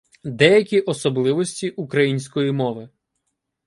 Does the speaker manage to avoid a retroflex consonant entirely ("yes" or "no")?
yes